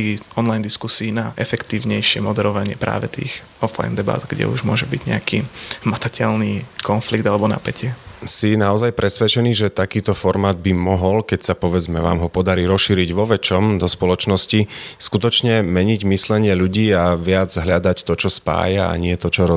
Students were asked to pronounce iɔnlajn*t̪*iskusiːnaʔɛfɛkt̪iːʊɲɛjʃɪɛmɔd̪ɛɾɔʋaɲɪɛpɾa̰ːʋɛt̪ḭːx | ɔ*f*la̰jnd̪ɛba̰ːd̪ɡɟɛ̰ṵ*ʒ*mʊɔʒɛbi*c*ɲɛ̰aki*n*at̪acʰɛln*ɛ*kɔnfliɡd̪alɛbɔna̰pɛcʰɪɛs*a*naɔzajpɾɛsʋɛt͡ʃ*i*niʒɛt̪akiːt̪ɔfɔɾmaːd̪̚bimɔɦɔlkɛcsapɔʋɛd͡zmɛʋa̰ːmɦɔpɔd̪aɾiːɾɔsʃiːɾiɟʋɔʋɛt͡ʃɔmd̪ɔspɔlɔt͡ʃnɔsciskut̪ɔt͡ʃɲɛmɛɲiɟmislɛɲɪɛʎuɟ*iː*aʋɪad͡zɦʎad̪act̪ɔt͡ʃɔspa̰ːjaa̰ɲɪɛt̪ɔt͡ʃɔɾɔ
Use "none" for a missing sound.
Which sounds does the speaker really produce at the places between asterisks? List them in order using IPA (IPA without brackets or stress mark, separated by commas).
d̪, f, ʒ, ɟ, m, i, i, ɛ, iː